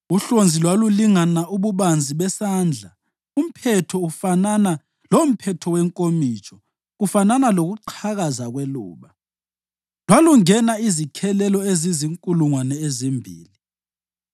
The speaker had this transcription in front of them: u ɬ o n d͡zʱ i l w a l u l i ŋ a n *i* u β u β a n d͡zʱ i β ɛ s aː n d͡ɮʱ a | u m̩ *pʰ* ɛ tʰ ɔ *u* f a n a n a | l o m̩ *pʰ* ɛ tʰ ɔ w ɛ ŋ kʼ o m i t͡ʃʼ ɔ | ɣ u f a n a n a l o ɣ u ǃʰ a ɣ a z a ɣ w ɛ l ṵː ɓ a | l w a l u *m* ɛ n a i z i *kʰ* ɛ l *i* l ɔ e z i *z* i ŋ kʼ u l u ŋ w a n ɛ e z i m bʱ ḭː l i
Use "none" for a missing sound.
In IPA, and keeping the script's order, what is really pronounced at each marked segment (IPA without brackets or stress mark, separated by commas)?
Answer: a, pʰ, u, pʰ, ŋ, kʰ, ɛ, z